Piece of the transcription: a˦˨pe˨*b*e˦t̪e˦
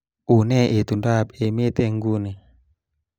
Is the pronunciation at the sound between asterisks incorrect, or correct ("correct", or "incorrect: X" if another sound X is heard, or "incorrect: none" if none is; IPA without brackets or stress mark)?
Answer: incorrect: m